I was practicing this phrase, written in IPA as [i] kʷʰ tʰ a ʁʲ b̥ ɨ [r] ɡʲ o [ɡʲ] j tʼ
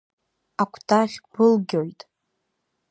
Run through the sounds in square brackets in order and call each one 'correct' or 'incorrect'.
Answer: incorrect, incorrect, incorrect

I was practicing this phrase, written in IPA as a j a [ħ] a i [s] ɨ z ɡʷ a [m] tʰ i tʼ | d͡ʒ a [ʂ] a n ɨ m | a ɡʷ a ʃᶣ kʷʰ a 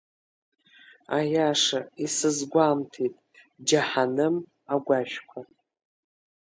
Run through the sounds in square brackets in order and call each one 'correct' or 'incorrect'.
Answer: incorrect, correct, correct, incorrect

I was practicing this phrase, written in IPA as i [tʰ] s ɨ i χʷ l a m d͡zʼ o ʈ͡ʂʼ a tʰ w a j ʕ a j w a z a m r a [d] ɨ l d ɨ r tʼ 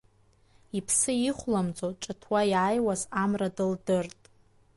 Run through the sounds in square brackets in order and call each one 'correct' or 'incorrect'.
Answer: incorrect, correct

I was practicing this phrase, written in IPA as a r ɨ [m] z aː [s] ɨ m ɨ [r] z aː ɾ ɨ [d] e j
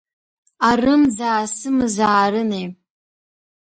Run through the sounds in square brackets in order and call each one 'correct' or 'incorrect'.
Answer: correct, correct, incorrect, incorrect

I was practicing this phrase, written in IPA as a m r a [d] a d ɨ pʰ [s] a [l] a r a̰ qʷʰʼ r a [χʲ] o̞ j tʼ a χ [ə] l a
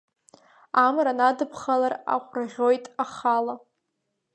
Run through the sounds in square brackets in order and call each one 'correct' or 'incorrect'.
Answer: incorrect, incorrect, correct, incorrect, incorrect

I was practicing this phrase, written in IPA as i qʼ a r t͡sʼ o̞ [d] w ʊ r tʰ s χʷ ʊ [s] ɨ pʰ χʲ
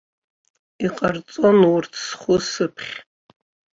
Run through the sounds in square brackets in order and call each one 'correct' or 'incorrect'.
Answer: incorrect, correct

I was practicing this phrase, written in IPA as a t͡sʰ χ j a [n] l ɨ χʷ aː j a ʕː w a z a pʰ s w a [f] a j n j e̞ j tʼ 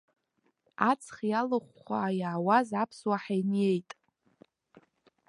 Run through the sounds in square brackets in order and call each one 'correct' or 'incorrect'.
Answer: incorrect, incorrect

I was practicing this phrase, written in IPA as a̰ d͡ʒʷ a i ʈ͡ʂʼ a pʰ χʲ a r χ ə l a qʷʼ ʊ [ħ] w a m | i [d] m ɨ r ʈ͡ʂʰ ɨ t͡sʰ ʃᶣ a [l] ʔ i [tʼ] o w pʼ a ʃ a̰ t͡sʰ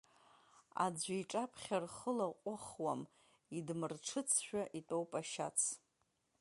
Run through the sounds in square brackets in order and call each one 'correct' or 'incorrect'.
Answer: incorrect, correct, incorrect, correct

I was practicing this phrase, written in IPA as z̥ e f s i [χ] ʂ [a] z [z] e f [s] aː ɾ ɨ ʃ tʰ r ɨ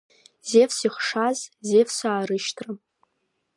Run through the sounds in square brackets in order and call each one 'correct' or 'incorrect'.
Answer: correct, correct, correct, correct

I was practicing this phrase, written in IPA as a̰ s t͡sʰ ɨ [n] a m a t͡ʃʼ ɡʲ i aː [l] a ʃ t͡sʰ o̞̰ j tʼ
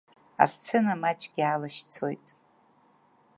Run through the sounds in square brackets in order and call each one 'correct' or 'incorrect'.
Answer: correct, correct

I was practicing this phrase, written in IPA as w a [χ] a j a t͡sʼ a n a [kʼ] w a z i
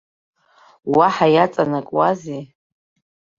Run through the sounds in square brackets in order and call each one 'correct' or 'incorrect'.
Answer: incorrect, correct

